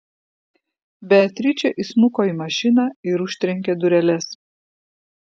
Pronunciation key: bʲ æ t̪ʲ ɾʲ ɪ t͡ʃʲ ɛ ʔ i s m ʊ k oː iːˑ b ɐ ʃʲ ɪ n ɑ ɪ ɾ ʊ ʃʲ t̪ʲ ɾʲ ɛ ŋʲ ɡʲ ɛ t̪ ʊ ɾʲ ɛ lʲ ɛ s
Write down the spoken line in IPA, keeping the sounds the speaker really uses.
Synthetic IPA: bʲ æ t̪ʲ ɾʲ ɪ t͡ʃʲ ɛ ʔ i s m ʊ k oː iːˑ m ɐ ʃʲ ɪ n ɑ ɪ ɾ ʊ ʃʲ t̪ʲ ɾʲ ɛ ŋʲ kʲ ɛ d̪ ʊ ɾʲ ɛ lʲ ɛ s

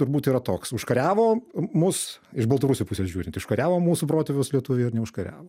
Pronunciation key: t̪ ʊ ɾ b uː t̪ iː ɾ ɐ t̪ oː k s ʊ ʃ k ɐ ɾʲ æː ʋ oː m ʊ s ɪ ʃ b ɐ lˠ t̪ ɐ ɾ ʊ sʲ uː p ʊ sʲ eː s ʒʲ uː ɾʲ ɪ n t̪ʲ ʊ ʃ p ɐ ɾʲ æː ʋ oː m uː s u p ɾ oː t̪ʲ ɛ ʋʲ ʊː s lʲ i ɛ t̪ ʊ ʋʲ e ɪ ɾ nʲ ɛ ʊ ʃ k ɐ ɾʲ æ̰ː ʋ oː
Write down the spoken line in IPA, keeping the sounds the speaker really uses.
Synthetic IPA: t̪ ʊ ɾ b uː t̪ iː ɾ ɐ t̪ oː k s ʊ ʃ k ɐ ɾʲ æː ʋ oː m ʊ s ɪ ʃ b ɐ lˠ t̪ ɐ ɾ ʊ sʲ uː p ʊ sʲ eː s ʒʲ uː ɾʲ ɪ n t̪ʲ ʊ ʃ k ɐ ɾʲ æː ʋ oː m uː s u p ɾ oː t̪ʲ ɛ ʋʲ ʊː s lʲ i ɛ t̪ ʊ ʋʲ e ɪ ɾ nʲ ɛ ʊ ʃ k ɐ ɾʲ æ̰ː ʋ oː

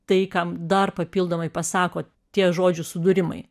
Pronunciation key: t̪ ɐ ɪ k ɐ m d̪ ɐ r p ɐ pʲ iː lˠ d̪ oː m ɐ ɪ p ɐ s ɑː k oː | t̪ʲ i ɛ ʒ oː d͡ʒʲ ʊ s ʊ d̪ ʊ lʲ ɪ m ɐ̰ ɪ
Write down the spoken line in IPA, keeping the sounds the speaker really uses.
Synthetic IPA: t̪ ɐ ɪ k ɐ m d̪ ɐ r p ɐ pʲ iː lˠ d̪ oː m ɐ ɪ p ɐ s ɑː k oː | t̪ʲ i ɛ ʒ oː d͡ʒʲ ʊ s ʊ d̪ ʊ ɾʲ ɪ m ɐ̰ ɪ

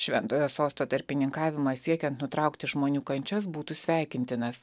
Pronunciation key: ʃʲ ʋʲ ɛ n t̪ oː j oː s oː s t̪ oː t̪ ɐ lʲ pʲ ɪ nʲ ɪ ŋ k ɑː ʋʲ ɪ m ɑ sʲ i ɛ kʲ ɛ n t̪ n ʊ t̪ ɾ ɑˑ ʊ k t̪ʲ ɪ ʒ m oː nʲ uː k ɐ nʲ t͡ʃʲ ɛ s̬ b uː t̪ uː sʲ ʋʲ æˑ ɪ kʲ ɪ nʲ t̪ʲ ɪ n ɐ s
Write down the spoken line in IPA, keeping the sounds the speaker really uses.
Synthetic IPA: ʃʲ ʋʲ ɛ n t̪ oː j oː s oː s t̪ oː t̪ ɐ ɾʲ pʲ ɪ nʲ ɪ ŋ k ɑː ʋʲ ɪ m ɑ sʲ i ɛ kʲ ɛ n t̪ n ʊ t̪ ɾ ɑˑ ʊ k t̪ʲ ɪ ʒ m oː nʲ uː k ɐ nʲ t͡ʃʲ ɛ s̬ b uː t̪ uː sʲ ʋʲ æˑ ɪ kʲ ɪ nʲ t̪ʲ ɪ n ɐ s

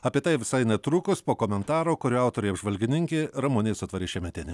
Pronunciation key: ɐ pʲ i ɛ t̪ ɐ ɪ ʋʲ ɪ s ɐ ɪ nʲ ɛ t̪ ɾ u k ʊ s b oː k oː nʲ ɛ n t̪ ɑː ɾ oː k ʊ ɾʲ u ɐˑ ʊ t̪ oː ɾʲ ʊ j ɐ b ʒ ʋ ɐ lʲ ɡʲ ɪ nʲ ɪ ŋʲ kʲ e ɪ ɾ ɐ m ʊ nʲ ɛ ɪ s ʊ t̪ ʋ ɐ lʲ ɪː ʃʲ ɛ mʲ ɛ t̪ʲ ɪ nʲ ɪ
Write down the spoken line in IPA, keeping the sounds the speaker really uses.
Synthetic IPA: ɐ pʲ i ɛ t̪ ɐ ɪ ʋʲ ɪ s ɐ ɪ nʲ ɛ t̪ ɾ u k ʊ s p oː k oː mʲ ɛ n t̪ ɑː ɾ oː k ʊ ɾʲ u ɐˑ ʊ t̪ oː ɾʲ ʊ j ɐ b ʒ ʋ ɐ lʲ ɡʲ ɪ nʲ ɪ ŋʲ kʲ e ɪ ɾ ɐ m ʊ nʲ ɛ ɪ s ʊ t̪ ʋ ɐ ɾʲ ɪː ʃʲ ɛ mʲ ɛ t̪ʲ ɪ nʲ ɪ

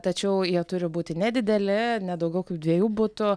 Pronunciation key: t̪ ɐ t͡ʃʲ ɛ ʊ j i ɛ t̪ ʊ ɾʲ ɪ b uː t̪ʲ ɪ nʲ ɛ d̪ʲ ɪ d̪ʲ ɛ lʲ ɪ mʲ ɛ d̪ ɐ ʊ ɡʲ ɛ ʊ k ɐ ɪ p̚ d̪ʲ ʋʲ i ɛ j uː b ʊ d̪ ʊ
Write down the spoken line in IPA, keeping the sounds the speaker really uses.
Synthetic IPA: t̪ ɐ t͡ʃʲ ɛ ʊ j i ɛ t̪ ʊ ɾʲ ɪ b uː t̪ʲ ɪ nʲ ɛ d̪ʲ ɪ d̪ʲ ɛ lʲ ɪ nʲ ɛ d̪ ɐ ʊ ɡʲ ɛ ʊ k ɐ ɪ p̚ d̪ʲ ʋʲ i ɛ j uː b ʊ t̪ ʊ

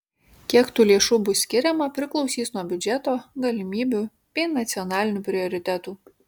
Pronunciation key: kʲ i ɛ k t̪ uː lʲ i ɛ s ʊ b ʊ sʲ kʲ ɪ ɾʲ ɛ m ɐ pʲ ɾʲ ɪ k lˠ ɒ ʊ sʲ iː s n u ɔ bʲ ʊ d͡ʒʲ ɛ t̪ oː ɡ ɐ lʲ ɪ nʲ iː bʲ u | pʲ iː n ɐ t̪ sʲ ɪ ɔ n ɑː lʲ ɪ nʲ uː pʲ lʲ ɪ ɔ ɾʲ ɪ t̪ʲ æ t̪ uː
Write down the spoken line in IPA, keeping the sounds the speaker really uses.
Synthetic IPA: kʲ i ɛ k t̪ uː lʲ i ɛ ʃ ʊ b ʊ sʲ kʲ ɪ ɾʲ ɛ m ɐ pʲ ɾʲ ɪ k lˠ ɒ ʊ sʲ iː s n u ɔ bʲ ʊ d͡ʒʲ ɛ t̪ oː ɡ ɐ lʲ ɪ mʲ iː bʲ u | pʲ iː n ɐ t̪ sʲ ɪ ɔ n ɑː lʲ ɪ nʲ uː pʲ ɾʲ ɪ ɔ ɾʲ ɪ t̪ʲ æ t̪ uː

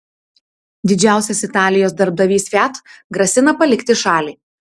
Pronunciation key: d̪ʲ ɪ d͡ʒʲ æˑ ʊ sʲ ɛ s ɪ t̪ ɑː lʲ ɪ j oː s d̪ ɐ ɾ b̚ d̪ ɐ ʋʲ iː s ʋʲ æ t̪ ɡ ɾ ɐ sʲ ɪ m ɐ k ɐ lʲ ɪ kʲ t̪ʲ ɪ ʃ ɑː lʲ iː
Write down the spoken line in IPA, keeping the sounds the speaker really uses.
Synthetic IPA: d̪ʲ ɪ d͡ʒʲ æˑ ʊ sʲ ɛ s ɪ t̪ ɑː lʲ ɪ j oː s d̪ ɐ ɾ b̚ d̪ ɐ ʋʲ iː s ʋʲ æ t̪ ɡ ɾ ɐ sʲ ɪ n ɐ p ɐ lʲ ɪ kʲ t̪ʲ ɪ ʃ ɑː lʲ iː

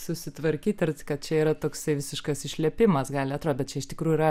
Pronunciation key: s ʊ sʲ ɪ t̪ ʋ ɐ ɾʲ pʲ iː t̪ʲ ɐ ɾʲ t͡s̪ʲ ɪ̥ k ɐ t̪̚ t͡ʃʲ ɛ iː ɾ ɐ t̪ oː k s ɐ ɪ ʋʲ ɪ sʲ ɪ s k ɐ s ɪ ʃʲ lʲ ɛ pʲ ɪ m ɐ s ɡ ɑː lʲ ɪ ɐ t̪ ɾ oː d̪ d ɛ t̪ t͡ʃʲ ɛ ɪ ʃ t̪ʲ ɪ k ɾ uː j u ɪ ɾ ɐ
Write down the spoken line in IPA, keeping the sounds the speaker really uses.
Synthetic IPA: s ʊ sʲ ɪ t̪ ʋ ɐ ɾʲ kʲ iː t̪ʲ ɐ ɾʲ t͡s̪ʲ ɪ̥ k ɐ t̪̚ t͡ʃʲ ɛ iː ɾ ɐ t̪ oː k s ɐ ɪ ʋʲ ɪ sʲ ɪ ʃ k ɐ s ɪ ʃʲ lʲ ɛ pʲ ɪ m ɐ s ɡ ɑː lʲ ɪ ɐ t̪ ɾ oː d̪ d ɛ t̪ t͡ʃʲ ɛ ɪ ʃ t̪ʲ ɪ k ɾ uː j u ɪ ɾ ɐ

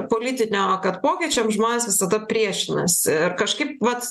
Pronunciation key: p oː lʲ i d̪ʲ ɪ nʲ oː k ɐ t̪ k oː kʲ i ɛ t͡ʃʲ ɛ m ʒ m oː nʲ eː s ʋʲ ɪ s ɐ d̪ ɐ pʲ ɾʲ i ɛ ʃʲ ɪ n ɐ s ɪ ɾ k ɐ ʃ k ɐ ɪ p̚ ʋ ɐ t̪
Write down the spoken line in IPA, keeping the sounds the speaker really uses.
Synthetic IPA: p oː lʲ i t̪ʲ ɪ nʲ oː k ɐ t̪ p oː kʲ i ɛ t͡ʃʲ ɛ m ʒ m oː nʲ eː s ʋʲ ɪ s ɐ d̪ ɐ pʲ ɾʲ i ɛ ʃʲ ɪ n ɐ s ɪ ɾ k ɐ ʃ k ɐ ɪ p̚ ʋ ɐ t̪

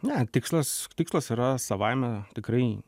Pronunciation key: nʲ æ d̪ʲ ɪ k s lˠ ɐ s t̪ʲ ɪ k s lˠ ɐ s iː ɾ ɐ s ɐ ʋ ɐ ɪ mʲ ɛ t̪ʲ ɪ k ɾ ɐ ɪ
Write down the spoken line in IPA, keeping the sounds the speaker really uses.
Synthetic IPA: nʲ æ t̪ʲ ɪ k s lˠ ɐ s t̪ʲ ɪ k s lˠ ɐ s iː ɾ ɐ s ɐ ʋ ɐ ɪ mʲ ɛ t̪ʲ ɪ k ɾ ɐ ɪ

